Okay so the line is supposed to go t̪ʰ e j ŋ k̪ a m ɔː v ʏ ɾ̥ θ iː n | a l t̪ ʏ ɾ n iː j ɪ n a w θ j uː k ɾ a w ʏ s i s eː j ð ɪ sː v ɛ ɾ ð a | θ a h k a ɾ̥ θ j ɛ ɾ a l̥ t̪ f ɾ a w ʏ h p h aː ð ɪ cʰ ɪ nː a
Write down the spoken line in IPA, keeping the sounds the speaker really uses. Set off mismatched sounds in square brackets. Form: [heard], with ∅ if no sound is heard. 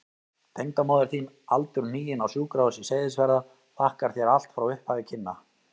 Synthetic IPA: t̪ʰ e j ŋ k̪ a m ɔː [ð] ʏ ɾ̥ θ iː n | a l t̪ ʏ ɾ n iː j ɪ n a w [s] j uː k ɾ a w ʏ s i s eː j ð ɪ [s] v ɛ ɾ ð a | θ a h k a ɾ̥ θ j ɛ ɾ a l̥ t̪ f ɾ a w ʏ h p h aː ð ɪ cʰ ɪ nː a